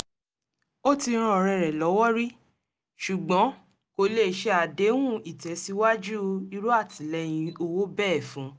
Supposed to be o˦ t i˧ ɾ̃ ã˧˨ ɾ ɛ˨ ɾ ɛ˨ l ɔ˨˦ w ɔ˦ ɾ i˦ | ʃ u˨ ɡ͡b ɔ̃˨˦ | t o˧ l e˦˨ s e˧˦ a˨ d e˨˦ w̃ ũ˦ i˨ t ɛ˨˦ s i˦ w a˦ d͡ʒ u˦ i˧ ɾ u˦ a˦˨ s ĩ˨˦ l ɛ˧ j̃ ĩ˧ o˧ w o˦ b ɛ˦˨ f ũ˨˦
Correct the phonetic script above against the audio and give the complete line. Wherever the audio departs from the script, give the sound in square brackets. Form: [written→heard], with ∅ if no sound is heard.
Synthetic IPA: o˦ t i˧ ɾ̃ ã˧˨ ɾ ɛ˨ ɾ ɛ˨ l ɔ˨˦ w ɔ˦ ɾ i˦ | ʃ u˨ ɡ͡b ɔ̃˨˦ | [t→k] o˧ l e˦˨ [s→ʃ] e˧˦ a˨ d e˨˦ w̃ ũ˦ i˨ t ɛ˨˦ s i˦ w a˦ d͡ʒ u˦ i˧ ɾ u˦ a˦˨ [s→t] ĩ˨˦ l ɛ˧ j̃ ĩ˧ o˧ w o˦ b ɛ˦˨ f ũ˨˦